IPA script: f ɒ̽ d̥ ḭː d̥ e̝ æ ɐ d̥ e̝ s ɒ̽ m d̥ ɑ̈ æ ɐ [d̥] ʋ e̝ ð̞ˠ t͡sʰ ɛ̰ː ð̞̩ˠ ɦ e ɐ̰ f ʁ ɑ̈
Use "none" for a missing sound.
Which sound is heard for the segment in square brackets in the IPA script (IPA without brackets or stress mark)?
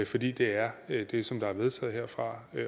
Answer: none